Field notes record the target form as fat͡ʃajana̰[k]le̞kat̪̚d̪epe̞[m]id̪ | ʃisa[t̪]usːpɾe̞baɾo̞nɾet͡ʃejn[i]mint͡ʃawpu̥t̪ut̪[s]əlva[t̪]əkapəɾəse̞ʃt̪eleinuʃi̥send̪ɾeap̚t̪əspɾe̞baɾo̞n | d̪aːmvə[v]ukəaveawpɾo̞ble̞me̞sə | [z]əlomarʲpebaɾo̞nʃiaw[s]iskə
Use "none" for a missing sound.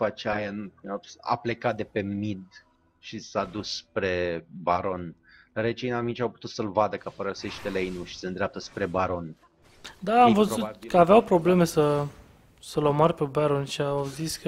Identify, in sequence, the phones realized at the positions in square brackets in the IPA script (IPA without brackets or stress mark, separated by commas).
p, m, d̪, a, s, d̪, z, s, z